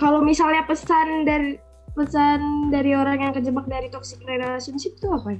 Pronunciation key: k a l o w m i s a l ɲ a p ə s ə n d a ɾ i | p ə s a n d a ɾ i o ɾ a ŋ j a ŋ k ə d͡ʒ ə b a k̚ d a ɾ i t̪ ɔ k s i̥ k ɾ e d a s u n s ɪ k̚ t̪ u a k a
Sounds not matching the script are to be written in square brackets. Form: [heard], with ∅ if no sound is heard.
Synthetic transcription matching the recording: k a l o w m i s a l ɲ a p ə s [a] n d a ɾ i | p ə s a n d a ɾ i o ɾ a ŋ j a ŋ k ə d͡ʒ ə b a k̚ d a ɾ i t̪ ɔ k s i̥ k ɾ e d a s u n s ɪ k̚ t̪ u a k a